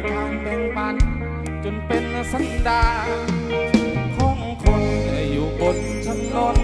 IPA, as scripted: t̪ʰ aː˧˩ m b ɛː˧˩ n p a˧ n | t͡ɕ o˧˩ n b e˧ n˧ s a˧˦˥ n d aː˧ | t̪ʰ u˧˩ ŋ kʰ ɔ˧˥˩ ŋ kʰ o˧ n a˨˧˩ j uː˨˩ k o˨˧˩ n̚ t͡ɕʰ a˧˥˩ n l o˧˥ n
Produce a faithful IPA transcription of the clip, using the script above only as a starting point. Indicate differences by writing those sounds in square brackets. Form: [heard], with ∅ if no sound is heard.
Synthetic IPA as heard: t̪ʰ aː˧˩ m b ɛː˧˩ [ŋ] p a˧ n | t͡ɕ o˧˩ n [p] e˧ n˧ s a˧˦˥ n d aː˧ | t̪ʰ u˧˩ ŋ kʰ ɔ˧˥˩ ŋ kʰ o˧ n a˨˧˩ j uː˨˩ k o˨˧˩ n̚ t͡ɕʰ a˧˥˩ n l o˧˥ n